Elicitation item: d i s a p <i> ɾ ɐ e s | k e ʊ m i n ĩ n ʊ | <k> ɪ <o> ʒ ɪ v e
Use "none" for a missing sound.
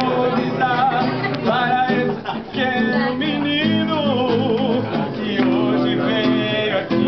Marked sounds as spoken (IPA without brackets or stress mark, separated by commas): a, k, o